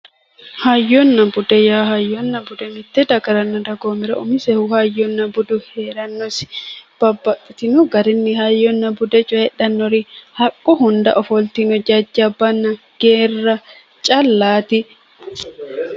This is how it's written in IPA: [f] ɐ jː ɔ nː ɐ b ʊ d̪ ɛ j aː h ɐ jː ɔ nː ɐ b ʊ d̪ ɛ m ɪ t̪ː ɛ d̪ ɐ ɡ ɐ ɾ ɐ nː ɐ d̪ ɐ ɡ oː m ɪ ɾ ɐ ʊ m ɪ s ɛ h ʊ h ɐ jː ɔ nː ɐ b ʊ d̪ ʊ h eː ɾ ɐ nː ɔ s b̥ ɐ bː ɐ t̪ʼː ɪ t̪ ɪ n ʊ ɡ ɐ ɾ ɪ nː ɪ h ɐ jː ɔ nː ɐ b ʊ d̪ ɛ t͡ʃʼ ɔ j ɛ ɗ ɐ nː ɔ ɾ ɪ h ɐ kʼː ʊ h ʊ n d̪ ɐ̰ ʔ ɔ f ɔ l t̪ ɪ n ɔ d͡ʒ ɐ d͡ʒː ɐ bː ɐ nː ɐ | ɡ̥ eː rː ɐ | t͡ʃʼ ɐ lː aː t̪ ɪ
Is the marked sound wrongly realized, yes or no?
yes